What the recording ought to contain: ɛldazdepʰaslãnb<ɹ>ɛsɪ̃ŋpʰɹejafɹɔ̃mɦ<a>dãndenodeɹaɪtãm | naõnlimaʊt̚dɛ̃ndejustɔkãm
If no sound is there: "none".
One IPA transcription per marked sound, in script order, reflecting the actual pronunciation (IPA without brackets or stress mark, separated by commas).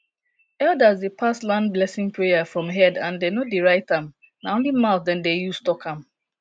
l, ɛ